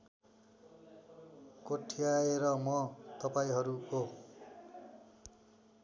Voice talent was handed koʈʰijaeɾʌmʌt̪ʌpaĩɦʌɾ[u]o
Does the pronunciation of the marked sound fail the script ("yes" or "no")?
no